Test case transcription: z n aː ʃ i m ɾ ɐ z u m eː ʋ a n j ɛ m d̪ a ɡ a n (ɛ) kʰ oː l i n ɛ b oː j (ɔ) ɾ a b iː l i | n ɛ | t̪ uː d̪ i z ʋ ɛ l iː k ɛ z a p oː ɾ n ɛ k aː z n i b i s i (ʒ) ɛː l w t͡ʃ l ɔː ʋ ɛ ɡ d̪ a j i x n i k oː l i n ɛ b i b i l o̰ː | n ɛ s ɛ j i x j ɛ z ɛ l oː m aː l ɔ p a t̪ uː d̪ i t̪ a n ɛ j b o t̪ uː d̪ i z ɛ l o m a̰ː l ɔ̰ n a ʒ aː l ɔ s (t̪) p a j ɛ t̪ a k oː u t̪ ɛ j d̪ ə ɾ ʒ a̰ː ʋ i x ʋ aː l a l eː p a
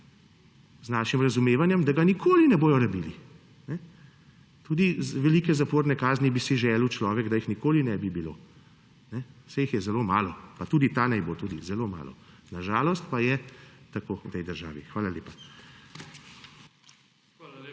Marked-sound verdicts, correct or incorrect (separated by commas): incorrect, correct, correct, correct